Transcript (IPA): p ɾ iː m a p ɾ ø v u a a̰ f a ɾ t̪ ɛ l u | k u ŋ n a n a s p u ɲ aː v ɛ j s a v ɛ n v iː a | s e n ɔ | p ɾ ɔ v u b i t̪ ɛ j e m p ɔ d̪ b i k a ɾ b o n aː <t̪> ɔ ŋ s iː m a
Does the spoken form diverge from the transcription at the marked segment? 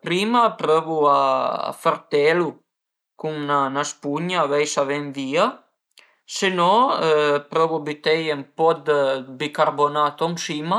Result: no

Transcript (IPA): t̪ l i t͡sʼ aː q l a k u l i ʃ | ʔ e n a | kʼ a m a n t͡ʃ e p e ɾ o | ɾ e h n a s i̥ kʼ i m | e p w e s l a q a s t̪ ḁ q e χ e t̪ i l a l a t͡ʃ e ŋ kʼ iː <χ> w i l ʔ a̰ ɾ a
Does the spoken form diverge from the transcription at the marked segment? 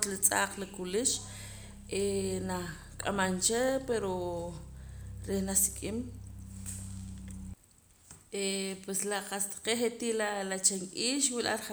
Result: yes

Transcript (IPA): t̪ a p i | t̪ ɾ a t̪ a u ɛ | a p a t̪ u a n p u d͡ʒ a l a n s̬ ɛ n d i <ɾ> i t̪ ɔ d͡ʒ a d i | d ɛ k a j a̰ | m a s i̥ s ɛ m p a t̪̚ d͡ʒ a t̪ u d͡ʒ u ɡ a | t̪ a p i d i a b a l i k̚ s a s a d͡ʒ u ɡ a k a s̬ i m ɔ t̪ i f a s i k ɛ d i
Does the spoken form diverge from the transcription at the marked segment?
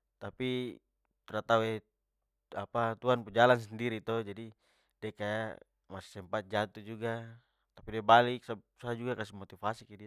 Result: no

